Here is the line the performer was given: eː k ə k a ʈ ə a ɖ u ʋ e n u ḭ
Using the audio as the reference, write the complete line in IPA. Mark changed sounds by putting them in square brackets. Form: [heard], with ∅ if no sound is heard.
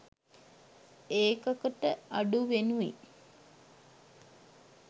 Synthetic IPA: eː k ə k [ə] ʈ ə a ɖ u ʋ e n u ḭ

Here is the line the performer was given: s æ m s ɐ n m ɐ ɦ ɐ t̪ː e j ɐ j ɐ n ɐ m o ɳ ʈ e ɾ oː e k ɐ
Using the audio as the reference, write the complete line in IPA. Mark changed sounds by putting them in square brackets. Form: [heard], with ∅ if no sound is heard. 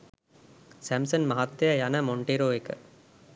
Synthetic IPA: s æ m s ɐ n m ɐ ɦ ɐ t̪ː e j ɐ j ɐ n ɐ m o ɳ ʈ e ɾ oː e k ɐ

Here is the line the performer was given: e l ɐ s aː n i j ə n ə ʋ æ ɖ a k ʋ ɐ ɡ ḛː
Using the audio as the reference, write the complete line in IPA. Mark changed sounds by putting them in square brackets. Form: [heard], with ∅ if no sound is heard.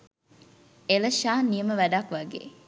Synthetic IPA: e l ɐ [ʃ] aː n i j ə [m] ə ʋ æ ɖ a k ʋ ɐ ɡ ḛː

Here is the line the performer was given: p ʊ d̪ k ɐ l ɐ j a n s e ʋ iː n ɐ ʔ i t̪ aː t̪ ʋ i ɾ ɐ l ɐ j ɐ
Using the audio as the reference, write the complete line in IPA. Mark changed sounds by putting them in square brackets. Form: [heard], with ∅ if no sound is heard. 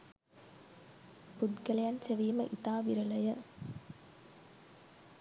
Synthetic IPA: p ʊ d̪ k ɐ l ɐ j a n s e ʋ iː [m] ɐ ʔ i t̪ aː [∅] ʋ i ɾ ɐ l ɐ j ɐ

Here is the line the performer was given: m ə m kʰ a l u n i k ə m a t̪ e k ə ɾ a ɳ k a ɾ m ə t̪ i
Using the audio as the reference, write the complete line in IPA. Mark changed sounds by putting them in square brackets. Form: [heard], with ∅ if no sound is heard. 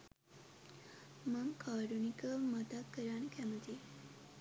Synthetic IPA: m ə m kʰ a [ɾ] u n i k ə m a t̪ [a] k ə ɾ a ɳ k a [∅] m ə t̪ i

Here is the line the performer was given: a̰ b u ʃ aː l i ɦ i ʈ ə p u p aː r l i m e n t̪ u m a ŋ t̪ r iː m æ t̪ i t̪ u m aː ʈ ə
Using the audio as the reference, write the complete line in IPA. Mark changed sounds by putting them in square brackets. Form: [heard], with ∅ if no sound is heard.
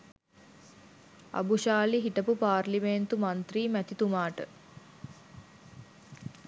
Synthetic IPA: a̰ b u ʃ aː l i ɦ i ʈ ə p u p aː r l i m e n t̪ u m a [n] t̪ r iː m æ t̪ i t̪ u m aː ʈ ə

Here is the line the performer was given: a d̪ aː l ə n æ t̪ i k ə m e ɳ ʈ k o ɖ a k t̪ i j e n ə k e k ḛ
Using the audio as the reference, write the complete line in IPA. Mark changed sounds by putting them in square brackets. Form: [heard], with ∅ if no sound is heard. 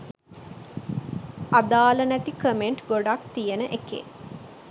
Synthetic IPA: a d̪ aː l ə n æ t̪ i k ə m e ɳ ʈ [ɡ] o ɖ a k t̪ i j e n ə [ʔ] e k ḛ

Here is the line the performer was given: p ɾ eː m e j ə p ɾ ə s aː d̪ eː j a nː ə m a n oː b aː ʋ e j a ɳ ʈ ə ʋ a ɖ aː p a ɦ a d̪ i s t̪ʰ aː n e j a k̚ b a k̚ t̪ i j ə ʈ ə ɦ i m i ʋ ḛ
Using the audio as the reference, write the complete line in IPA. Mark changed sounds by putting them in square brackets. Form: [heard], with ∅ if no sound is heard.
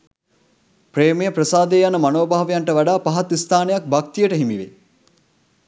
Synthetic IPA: p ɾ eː m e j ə p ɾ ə s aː d̪ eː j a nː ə m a n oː b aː ʋ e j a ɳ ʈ ə ʋ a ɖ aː p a ɦ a [t̪] i s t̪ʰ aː n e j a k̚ b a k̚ t̪ i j ə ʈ ə ɦ i m i ʋ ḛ

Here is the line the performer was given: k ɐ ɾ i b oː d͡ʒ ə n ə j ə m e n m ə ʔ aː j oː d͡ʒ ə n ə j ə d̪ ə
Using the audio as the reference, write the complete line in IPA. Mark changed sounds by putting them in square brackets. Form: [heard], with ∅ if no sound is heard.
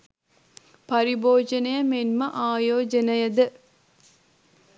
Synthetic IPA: [p] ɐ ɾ i b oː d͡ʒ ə n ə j ə m e n m ə ʔ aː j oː d͡ʒ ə n ə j ə d̪ ə

